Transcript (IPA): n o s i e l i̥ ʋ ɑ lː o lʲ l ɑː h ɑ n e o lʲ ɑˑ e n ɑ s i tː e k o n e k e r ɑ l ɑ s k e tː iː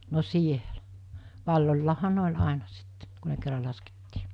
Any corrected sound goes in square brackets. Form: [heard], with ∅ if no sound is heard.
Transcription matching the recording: n o s i e l [æ̥] ʋ ɑ lː o lʲ l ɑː h ɑ n e o lʲ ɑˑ e n ɑ s i tː e k [u] n e k e [rː] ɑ l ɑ s k e tː iː